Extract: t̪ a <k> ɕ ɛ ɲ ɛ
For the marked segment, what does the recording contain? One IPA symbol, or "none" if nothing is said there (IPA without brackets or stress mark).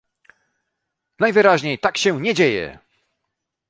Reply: k